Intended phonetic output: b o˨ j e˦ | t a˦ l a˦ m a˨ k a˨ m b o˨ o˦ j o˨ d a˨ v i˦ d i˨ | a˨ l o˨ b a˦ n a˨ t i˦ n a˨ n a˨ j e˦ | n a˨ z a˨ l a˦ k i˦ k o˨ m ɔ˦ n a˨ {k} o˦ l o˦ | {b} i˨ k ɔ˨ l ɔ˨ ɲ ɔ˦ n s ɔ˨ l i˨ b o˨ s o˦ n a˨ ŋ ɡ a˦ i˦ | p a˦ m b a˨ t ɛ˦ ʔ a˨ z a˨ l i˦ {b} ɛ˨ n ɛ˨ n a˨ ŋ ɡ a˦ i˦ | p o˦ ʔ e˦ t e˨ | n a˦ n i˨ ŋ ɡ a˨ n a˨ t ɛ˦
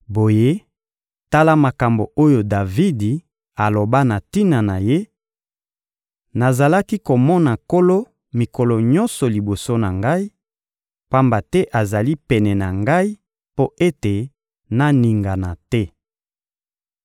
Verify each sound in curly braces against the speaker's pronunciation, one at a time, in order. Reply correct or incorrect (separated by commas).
correct, incorrect, incorrect